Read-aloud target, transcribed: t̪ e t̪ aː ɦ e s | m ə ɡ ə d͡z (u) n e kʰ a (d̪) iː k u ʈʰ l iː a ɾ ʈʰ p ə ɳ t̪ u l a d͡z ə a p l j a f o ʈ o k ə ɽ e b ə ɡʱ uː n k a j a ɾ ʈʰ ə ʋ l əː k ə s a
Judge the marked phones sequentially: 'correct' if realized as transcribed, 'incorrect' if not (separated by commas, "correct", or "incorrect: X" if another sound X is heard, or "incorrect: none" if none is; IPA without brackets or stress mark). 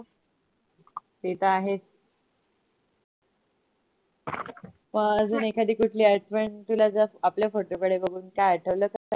incorrect: uː, correct